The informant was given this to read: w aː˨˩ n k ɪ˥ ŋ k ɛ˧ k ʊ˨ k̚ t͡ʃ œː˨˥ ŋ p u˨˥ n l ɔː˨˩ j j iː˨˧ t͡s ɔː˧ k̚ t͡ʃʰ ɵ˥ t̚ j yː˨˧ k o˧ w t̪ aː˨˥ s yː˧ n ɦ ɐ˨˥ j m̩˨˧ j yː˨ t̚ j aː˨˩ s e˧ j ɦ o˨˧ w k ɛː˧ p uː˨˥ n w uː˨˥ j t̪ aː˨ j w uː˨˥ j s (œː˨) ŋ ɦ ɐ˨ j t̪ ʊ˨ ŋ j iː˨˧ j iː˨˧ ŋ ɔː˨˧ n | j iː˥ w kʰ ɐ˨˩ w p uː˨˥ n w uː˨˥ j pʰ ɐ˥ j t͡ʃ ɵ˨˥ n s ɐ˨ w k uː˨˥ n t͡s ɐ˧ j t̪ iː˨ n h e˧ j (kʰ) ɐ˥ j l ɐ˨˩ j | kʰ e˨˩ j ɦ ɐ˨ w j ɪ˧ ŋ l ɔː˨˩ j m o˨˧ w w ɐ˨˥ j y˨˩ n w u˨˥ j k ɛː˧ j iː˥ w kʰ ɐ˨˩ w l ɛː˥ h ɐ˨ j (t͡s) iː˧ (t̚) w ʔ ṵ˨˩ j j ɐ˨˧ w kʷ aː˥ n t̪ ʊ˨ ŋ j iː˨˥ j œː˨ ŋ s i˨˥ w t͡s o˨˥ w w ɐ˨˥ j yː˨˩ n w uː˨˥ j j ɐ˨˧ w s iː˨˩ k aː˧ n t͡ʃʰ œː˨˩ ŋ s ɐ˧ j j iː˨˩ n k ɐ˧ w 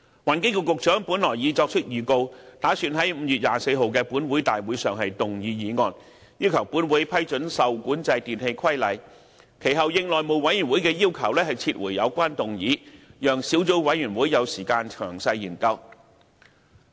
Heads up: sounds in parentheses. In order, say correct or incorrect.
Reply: correct, correct, incorrect: t͡sʰ, correct

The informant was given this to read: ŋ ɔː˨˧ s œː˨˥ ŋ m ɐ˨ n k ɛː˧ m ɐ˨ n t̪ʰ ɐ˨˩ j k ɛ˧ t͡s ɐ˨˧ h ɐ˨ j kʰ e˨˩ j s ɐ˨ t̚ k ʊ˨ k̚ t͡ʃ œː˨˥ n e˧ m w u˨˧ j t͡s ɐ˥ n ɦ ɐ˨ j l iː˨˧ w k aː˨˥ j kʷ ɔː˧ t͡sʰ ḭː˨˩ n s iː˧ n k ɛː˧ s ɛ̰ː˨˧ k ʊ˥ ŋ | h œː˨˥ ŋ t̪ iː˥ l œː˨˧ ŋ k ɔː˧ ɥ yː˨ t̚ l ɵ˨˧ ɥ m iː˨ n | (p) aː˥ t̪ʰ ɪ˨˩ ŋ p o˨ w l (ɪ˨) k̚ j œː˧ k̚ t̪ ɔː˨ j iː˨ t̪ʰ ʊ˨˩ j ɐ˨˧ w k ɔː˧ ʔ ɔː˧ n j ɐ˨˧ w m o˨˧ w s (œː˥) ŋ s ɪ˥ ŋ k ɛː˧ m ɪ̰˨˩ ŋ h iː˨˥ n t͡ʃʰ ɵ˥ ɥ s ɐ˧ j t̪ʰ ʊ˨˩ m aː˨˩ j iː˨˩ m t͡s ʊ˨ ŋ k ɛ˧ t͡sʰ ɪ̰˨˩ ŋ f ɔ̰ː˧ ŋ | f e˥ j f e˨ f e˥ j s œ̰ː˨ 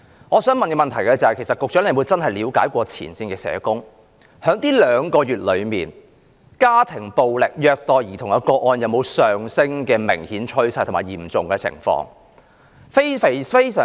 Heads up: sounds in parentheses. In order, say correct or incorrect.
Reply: incorrect: k, correct, incorrect: œː˨

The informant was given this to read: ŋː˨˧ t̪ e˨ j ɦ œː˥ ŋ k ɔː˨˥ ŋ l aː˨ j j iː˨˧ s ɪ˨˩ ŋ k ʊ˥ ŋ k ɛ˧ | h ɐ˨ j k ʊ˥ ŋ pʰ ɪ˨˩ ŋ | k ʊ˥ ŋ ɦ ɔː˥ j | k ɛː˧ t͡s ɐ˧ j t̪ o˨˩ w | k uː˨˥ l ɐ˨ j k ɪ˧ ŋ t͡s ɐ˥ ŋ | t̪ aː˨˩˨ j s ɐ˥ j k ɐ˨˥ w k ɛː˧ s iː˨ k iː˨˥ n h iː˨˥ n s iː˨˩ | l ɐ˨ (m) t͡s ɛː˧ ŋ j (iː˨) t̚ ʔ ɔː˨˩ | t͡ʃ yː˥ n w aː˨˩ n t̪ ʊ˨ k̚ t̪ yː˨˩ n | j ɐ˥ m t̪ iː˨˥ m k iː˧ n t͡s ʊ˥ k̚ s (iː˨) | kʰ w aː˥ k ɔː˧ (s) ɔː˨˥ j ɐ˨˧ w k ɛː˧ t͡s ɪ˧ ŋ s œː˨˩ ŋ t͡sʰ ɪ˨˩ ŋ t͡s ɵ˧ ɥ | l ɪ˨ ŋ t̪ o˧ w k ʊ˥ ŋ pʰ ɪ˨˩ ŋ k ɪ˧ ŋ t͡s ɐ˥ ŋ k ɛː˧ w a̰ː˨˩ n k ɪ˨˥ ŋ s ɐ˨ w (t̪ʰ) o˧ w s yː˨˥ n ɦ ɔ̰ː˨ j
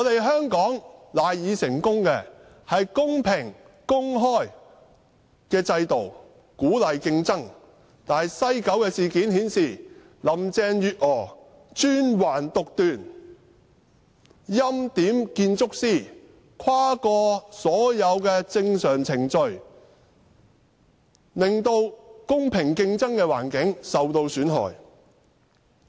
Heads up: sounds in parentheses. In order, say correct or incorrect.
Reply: correct, incorrect: yː˨, incorrect: iː˥, correct, incorrect: t̪

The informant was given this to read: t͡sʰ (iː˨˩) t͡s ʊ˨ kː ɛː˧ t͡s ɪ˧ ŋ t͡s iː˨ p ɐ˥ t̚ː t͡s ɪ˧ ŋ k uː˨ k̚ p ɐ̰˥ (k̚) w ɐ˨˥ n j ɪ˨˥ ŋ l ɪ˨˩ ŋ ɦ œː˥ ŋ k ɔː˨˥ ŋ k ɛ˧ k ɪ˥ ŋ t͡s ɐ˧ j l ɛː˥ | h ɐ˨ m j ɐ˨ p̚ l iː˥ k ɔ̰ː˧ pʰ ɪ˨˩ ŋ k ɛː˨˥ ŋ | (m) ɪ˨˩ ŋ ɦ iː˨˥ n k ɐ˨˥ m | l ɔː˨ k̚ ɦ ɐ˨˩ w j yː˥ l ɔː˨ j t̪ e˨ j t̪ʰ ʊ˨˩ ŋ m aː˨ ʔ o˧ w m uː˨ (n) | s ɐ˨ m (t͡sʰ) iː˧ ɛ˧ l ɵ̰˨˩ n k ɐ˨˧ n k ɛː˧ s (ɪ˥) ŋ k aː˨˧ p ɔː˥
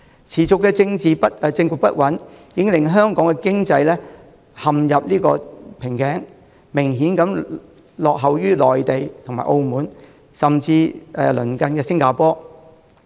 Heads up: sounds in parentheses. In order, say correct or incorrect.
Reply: correct, incorrect: t̚, correct, correct, incorrect: t͡s, correct

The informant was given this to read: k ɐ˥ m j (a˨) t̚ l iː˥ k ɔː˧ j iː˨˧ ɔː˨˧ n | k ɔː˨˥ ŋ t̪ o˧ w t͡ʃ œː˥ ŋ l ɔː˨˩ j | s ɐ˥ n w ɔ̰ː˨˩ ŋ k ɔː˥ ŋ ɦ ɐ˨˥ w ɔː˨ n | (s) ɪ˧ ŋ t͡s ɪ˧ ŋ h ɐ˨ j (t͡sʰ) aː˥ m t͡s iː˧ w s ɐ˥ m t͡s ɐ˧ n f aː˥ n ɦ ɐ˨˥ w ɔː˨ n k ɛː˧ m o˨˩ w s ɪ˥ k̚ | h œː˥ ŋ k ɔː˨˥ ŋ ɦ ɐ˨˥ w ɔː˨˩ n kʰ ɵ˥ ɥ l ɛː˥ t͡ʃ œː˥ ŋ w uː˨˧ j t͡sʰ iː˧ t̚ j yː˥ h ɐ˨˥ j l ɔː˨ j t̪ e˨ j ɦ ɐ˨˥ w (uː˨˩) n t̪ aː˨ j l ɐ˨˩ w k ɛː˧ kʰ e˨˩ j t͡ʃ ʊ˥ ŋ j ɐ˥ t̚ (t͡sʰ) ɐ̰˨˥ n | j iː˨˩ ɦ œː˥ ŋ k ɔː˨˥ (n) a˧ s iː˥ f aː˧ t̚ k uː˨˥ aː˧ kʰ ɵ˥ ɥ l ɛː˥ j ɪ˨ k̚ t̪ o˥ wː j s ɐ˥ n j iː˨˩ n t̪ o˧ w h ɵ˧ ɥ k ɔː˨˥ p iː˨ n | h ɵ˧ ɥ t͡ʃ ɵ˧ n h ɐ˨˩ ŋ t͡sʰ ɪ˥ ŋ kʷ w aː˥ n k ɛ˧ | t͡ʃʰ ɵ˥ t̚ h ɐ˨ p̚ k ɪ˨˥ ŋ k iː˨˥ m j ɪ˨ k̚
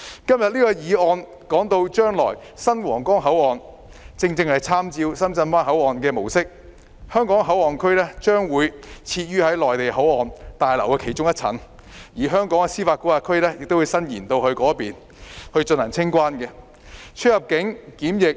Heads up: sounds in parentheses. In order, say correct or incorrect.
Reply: incorrect: ɐ˨, incorrect: t͡s, correct, incorrect: ɔː˨˩, correct, incorrect: ŋ

